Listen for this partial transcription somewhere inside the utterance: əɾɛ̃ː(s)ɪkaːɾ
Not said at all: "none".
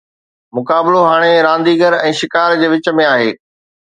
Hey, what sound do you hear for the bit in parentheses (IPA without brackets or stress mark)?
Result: ʃ